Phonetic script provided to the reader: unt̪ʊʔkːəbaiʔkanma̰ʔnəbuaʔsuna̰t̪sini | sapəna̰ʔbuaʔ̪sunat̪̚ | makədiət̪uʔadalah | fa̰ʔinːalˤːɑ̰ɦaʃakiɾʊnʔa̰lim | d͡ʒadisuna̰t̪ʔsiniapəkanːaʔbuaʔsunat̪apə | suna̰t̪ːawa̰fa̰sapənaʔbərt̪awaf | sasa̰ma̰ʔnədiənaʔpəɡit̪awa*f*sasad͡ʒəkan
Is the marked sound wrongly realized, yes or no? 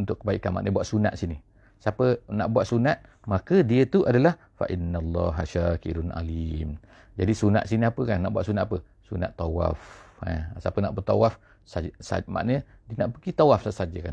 no